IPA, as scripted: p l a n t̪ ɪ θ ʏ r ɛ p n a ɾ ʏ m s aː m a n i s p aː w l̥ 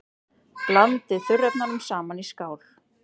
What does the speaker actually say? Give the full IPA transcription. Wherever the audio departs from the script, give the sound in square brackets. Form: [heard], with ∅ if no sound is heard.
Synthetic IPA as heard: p l a n t̪ ɪ θ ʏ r ɛ p n a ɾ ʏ m s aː m a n i s [k] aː w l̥